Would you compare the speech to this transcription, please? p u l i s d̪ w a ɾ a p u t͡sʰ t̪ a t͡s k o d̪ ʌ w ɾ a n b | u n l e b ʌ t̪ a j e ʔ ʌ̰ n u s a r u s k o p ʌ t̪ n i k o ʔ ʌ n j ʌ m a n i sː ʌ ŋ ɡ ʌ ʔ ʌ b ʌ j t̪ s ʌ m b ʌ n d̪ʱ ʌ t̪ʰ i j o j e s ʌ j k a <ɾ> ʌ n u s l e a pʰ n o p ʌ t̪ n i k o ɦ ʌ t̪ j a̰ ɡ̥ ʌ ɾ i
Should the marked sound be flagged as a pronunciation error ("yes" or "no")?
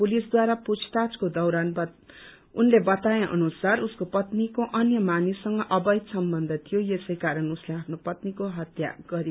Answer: no